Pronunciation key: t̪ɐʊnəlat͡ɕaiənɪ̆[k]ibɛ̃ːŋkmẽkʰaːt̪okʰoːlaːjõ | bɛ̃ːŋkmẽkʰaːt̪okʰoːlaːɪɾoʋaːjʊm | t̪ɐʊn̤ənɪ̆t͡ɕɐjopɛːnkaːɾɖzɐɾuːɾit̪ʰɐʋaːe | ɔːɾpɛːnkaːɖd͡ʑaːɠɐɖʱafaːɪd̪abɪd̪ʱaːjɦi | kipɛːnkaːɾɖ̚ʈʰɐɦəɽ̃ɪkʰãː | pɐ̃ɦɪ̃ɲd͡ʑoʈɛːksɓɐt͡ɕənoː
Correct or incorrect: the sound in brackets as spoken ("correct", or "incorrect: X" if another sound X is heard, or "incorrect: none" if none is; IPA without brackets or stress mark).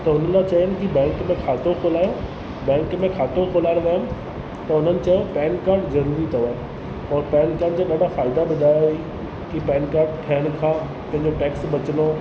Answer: correct